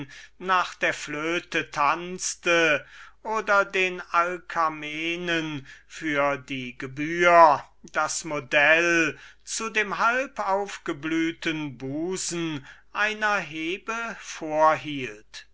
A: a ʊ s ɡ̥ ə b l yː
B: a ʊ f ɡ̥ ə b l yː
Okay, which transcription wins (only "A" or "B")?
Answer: B